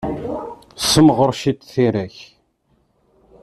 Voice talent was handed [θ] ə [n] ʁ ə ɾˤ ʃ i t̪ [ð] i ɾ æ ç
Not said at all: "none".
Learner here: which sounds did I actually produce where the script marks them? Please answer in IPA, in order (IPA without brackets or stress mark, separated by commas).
s, m, θ